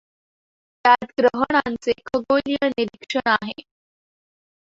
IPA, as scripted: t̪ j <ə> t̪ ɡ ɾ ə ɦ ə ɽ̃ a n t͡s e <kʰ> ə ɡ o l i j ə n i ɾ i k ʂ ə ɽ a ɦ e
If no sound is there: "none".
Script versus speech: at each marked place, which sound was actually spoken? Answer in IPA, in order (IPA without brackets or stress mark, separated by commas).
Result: a, kʰ